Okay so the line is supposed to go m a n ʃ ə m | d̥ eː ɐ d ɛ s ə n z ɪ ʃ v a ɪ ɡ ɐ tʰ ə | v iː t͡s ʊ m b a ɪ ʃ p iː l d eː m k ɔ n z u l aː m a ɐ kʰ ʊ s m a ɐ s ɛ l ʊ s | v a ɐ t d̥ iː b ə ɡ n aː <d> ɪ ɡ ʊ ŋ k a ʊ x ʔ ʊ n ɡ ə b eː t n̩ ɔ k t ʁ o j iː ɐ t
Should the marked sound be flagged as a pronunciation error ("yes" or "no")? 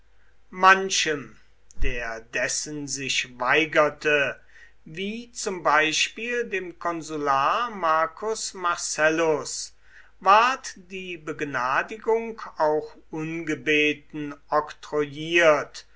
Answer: no